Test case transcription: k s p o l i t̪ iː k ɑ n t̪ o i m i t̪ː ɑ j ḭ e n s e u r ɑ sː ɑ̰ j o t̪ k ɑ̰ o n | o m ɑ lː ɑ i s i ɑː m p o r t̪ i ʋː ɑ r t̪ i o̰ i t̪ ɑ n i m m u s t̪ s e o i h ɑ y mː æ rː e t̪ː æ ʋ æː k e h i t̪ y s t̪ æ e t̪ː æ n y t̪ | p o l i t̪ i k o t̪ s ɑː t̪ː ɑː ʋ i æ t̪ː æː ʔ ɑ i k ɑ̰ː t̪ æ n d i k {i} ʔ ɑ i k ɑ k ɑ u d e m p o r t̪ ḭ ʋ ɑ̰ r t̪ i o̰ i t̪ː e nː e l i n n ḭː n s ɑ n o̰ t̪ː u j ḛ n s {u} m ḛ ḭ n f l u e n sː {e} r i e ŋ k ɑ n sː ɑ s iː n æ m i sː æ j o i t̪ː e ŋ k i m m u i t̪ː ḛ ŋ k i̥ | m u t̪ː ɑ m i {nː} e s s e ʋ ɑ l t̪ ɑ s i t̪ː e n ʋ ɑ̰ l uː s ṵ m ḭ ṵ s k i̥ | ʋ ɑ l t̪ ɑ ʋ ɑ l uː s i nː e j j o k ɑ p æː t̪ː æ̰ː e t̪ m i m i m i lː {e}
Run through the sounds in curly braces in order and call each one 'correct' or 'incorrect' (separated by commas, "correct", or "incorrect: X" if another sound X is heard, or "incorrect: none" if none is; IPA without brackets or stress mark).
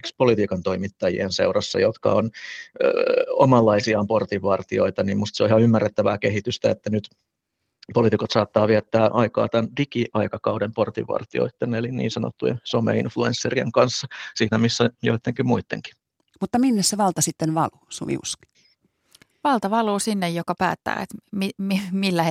correct, incorrect: o, correct, correct, incorrect: æ